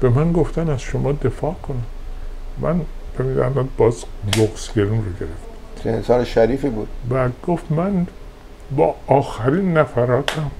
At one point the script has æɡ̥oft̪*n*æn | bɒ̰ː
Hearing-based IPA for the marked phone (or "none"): m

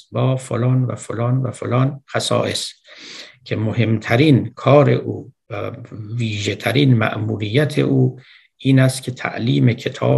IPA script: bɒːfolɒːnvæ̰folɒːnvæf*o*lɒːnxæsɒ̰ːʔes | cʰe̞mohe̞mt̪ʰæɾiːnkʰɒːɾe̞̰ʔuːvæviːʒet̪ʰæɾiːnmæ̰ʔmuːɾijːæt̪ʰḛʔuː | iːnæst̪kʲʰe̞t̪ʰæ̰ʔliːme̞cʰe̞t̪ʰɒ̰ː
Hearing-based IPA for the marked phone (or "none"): o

